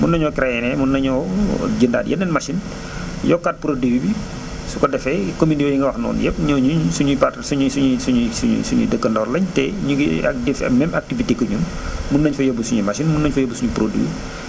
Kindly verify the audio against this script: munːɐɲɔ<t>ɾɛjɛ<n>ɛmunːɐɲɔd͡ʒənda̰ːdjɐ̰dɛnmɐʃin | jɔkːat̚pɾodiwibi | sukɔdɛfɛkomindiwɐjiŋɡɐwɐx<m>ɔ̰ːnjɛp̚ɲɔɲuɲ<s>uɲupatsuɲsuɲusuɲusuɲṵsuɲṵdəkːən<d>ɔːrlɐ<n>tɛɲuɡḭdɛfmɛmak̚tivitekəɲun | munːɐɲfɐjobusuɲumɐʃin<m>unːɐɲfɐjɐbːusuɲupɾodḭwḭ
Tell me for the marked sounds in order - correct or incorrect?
incorrect: k, correct, incorrect: n, correct, correct, incorrect: ɲ, correct

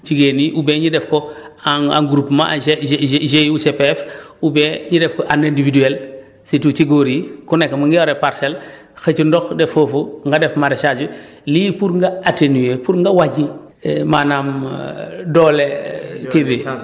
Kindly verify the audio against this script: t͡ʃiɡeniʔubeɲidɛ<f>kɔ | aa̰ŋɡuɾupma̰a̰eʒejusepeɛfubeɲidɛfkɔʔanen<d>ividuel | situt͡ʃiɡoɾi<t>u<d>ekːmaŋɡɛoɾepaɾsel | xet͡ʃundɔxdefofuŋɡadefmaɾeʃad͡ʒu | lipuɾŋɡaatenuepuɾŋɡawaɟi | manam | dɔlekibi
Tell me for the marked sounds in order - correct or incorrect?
correct, correct, incorrect: k, incorrect: n

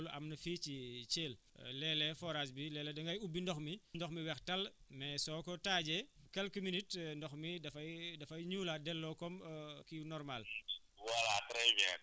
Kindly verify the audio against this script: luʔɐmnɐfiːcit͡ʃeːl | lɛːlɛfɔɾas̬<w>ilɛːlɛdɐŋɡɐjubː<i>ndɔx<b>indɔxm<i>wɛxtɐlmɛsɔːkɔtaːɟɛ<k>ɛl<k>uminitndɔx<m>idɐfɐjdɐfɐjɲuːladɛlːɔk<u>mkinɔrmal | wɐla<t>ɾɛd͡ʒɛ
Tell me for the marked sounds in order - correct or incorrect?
incorrect: b, correct, incorrect: m, correct, correct, correct, correct, incorrect: ɔ, correct

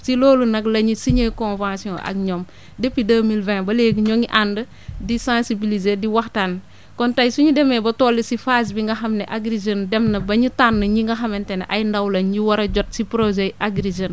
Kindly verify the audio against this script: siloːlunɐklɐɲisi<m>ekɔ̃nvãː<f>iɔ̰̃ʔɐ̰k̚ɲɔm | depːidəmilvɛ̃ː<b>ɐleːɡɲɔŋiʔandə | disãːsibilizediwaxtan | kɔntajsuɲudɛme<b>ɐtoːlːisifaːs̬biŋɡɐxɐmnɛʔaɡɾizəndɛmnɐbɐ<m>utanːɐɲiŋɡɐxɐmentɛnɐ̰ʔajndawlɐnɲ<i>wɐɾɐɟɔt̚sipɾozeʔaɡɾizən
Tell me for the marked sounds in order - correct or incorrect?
incorrect: ɲ, incorrect: s, correct, correct, incorrect: ɲ, correct

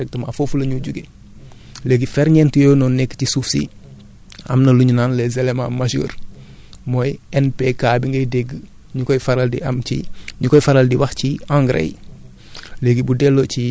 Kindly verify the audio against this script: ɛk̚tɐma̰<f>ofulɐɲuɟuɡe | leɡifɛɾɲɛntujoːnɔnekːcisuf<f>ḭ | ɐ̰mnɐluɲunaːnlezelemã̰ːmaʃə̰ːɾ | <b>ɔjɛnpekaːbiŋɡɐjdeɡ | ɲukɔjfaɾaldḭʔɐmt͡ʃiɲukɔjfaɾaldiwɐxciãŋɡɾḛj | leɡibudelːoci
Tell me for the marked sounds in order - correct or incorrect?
correct, incorrect: s, incorrect: m

